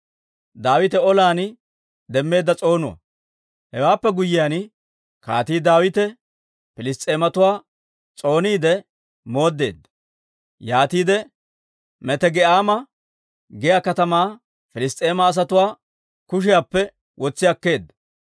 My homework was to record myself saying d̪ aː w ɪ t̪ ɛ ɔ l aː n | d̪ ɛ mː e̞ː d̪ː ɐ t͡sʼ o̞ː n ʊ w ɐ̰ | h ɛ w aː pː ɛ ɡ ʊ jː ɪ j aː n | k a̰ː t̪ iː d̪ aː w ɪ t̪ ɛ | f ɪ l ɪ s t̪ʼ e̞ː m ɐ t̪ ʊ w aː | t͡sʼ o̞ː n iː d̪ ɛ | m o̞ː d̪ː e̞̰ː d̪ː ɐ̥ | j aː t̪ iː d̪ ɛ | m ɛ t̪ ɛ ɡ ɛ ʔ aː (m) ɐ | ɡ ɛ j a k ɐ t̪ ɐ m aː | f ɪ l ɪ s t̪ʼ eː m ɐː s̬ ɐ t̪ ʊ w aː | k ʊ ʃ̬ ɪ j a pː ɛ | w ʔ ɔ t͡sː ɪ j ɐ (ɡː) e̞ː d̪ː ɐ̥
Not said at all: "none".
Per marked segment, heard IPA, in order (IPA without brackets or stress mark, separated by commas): m, kː